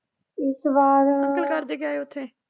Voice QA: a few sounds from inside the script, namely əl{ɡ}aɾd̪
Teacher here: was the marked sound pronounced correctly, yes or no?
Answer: no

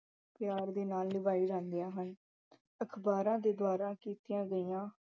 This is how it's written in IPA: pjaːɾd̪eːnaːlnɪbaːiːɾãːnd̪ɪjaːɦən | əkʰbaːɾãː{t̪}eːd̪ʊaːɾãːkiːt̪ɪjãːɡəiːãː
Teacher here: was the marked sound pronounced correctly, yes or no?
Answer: no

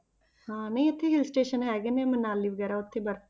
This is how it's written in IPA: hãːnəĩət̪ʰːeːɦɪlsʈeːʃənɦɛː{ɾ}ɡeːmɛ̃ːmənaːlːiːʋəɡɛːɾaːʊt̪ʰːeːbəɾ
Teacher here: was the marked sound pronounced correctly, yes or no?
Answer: no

